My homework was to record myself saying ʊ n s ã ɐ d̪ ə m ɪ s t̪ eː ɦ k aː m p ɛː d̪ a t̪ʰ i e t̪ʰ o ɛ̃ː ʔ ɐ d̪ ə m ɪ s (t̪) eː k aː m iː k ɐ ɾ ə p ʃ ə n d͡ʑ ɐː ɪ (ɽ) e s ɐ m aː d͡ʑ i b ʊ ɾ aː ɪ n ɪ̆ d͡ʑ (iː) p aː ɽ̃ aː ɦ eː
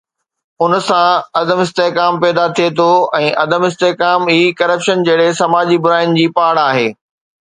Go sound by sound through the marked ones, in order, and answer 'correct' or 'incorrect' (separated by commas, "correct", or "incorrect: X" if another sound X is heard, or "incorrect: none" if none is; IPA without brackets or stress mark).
correct, correct, correct